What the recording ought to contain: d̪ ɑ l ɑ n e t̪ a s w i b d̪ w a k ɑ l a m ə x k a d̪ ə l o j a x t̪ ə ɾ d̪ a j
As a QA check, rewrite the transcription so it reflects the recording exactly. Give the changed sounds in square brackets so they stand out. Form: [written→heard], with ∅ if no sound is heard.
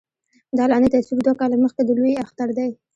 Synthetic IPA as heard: d̪ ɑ l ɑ n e t̪ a s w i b d̪ w a k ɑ l a m ə x k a d̪ ə l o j a x t̪ [ə→a] ɾ d̪ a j